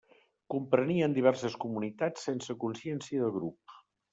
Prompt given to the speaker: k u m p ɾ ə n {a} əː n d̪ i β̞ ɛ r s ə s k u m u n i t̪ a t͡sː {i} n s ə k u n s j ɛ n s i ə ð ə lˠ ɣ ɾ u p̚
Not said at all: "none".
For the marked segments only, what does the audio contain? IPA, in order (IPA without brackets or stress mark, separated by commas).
i, e